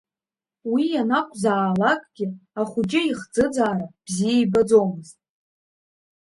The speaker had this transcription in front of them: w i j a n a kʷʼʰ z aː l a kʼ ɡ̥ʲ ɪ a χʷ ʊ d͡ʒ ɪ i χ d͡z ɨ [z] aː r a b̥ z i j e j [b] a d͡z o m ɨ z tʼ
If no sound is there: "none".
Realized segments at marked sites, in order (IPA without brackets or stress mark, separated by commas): d͡z, b